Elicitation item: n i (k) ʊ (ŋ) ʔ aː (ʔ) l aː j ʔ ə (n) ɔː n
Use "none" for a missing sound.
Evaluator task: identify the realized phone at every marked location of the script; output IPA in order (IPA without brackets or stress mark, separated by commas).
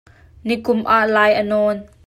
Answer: k, m, ʔ, n